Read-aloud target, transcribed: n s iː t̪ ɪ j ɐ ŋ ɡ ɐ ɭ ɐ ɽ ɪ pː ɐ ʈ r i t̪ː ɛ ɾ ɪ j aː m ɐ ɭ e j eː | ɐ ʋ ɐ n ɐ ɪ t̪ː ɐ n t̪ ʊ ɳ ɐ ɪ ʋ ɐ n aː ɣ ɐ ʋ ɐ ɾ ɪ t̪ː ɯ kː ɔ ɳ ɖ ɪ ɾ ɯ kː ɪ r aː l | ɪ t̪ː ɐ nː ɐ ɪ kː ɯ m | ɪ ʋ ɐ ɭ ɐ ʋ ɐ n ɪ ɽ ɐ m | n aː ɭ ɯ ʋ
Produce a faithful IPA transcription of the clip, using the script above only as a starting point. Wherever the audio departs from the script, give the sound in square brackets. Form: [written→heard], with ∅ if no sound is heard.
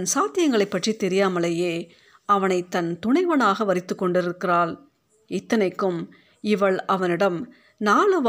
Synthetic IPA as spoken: n s [iː→aː] t̪ ɪ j ɐ ŋ ɡ ɐ ɭ ɐ [ɽ→∅] ɪ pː ɐ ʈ r i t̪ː ɛ ɾ ɪ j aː m ɐ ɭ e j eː | ɐ ʋ ɐ n ɐ ɪ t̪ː ɐ n t̪ ʊ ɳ ɐ ɪ ʋ ɐ n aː ɣ ɐ ʋ ɐ ɾ ɪ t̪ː ɯ kː ɔ ɳ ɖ ɪ ɾ ɯ kː ɪ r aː l | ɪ t̪ː ɐ [nː→n] ɐ ɪ kː ɯ m | ɪ ʋ ɐ ɭ ɐ ʋ ɐ n ɪ ɽ ɐ m | n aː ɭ ɯ ʋ